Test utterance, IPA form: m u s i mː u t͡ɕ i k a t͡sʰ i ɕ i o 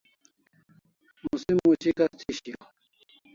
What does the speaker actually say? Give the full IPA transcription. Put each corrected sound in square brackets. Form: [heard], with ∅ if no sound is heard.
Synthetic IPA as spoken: m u s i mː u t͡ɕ i k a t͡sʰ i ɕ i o